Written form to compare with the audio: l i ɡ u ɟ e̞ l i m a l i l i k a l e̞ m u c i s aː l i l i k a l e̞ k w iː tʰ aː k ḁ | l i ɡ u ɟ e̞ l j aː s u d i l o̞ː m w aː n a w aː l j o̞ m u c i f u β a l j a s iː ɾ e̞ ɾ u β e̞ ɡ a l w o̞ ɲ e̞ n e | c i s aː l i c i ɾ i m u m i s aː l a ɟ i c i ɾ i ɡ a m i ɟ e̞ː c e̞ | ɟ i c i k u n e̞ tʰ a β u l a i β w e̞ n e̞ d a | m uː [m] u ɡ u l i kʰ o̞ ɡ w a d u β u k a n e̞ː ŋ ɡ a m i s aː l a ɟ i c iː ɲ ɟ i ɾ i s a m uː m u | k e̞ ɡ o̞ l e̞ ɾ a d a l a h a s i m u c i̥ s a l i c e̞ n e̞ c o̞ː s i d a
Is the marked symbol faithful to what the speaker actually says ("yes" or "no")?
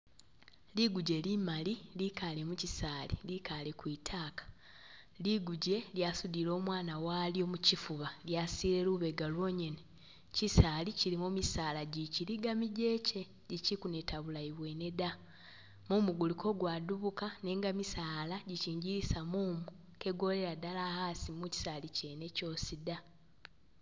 yes